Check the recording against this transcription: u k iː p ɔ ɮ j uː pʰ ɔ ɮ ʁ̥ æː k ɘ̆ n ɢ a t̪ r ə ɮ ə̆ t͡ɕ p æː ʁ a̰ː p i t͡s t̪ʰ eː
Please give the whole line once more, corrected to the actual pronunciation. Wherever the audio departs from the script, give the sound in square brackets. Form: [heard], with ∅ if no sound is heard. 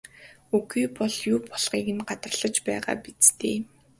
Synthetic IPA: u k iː p ɔ ɮ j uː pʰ ɔ ɮ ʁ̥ [iː] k ɘ̆ n ɢ a t̪ r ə ɮ ə̆ t͡ɕ p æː ʁ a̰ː p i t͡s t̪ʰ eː